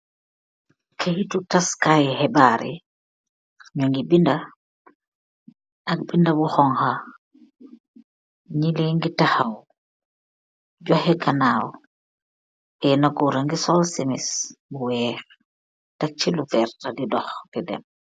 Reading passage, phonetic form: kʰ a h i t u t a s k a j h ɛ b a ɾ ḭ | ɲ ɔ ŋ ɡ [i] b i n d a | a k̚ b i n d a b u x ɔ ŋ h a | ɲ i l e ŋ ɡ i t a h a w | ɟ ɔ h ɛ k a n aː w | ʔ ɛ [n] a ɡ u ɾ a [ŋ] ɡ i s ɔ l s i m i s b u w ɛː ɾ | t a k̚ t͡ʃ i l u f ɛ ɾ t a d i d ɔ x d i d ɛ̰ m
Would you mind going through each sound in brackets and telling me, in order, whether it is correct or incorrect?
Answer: correct, correct, correct

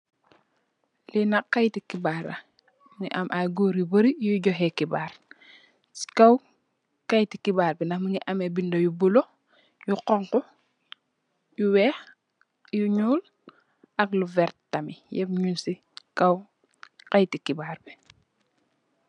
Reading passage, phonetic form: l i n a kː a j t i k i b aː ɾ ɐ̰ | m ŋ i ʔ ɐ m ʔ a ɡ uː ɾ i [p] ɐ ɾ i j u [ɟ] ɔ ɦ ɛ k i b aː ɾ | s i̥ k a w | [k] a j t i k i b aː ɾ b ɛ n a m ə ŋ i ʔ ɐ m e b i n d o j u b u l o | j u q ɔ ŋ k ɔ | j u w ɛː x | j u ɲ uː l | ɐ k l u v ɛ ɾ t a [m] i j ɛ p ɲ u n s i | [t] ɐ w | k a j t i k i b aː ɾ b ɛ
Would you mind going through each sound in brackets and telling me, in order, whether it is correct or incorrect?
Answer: incorrect: b, correct, correct, correct, incorrect: k

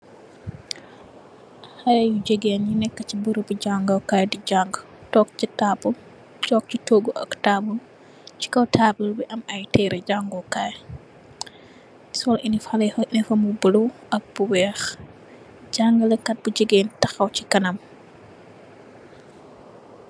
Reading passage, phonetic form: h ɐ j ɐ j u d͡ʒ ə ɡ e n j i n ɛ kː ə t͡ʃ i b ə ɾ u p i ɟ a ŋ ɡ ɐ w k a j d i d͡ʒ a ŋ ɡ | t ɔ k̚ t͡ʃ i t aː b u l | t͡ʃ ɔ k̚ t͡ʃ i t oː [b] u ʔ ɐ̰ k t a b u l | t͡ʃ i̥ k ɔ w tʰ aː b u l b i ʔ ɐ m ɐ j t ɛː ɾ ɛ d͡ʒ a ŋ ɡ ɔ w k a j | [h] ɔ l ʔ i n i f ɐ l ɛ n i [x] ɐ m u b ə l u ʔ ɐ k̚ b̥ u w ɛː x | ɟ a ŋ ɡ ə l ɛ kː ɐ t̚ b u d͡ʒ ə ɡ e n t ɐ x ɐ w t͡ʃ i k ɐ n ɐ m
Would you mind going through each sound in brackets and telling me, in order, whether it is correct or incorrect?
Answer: incorrect: ɡ, incorrect: s, incorrect: f

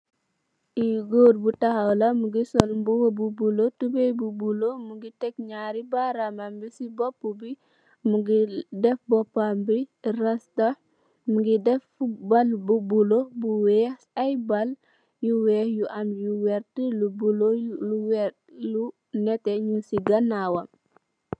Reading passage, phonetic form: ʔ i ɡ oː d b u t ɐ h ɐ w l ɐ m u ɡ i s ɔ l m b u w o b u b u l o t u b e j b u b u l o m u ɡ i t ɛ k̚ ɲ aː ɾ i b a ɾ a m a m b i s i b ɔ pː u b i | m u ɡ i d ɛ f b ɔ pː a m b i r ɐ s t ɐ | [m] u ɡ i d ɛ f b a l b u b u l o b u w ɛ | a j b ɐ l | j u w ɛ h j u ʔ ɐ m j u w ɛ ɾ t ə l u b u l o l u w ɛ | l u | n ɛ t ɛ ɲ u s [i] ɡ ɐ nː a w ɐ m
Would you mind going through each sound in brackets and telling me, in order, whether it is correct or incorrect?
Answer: correct, correct

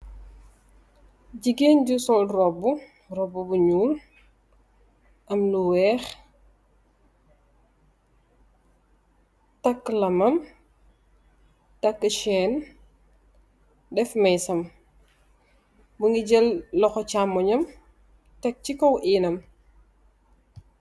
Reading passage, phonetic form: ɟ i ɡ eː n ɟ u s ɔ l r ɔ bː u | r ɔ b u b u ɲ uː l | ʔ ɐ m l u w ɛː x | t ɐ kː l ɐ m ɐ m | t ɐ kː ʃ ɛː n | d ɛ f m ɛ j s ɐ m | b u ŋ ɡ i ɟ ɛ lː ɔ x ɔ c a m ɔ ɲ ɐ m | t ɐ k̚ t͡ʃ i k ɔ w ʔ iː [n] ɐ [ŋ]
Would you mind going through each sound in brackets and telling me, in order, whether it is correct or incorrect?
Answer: correct, incorrect: m

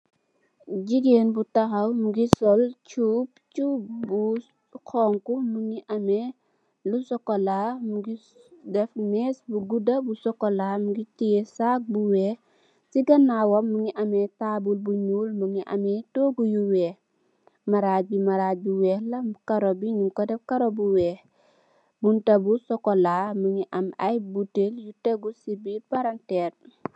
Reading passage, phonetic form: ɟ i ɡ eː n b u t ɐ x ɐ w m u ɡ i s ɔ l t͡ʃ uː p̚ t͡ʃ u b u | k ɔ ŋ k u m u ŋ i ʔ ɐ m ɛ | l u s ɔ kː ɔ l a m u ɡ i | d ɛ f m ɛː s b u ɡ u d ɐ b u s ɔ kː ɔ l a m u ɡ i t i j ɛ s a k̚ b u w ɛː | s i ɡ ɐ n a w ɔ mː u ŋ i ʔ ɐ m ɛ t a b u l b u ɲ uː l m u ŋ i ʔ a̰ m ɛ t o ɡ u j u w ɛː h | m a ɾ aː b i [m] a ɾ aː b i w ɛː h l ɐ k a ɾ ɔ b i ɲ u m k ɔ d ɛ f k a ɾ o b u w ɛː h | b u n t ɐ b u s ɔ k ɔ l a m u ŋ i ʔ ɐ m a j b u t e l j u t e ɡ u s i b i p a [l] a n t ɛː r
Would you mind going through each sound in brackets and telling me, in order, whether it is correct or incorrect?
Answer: correct, incorrect: ɾ

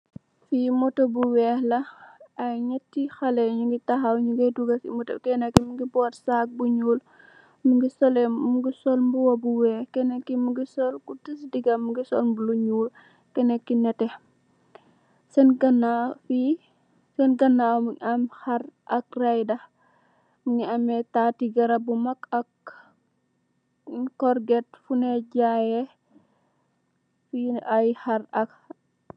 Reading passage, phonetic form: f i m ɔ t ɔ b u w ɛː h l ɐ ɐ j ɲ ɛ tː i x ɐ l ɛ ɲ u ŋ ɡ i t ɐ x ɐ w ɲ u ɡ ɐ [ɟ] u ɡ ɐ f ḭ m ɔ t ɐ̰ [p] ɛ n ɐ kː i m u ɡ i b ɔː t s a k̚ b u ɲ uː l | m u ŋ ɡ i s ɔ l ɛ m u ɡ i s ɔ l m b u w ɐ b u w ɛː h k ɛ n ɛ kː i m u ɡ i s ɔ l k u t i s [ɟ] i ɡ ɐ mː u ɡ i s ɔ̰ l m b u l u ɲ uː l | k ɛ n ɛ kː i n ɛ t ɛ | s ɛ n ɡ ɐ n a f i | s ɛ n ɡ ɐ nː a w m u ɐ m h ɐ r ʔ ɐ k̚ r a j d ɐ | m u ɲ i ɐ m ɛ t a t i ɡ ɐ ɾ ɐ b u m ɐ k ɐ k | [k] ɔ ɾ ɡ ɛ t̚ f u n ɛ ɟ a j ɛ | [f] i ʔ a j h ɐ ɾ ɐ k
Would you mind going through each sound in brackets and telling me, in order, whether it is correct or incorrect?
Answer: incorrect: d, incorrect: k, incorrect: d, correct, correct

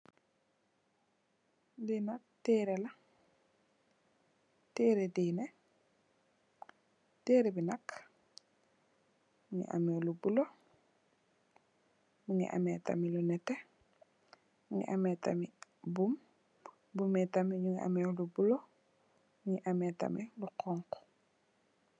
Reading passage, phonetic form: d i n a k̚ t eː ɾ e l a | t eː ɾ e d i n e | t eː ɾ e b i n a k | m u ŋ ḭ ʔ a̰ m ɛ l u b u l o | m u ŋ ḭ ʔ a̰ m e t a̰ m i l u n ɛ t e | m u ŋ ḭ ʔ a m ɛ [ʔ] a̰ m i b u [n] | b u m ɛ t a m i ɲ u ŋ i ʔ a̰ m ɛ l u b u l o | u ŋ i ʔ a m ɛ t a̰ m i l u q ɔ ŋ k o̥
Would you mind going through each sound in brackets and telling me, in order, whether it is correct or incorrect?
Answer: incorrect: t, incorrect: m

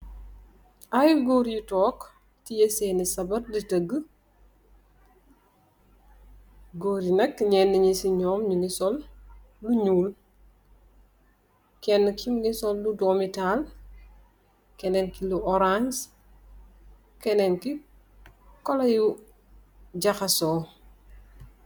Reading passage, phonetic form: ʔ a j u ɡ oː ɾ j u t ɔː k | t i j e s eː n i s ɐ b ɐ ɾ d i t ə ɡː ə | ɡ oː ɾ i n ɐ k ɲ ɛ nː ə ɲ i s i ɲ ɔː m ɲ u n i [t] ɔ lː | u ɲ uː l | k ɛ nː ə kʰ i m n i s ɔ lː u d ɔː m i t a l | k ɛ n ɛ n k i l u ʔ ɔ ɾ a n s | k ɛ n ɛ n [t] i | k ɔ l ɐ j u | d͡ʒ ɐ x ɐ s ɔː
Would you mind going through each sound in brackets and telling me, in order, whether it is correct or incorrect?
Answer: incorrect: s, incorrect: k

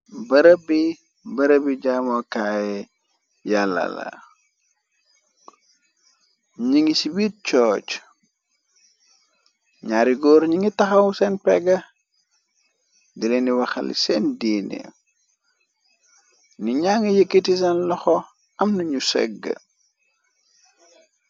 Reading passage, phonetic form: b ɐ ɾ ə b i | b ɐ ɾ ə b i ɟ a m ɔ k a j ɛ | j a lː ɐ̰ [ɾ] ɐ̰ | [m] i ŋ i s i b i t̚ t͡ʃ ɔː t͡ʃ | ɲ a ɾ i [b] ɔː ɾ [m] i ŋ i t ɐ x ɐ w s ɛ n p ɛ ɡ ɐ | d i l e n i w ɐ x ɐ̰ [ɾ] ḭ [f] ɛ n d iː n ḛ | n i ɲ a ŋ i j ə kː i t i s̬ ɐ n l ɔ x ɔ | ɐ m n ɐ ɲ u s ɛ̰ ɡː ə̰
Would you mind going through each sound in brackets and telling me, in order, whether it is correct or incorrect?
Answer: incorrect: l, incorrect: ɲ, incorrect: ɡ, incorrect: ɲ, incorrect: l, incorrect: s

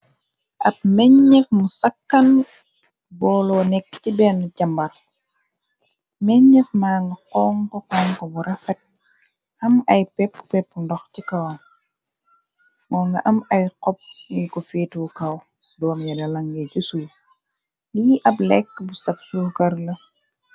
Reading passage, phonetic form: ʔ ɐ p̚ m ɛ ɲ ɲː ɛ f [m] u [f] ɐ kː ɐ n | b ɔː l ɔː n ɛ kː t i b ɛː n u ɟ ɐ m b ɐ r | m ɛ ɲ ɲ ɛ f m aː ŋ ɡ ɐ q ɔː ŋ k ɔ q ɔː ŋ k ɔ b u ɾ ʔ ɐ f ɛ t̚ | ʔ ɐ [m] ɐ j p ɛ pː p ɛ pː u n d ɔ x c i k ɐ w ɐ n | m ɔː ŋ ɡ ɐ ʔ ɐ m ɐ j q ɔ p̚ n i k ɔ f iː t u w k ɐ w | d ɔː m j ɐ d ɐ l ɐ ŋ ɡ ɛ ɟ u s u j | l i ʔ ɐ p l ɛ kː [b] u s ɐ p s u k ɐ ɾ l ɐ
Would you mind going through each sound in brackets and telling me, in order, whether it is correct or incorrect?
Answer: correct, incorrect: s, correct, correct

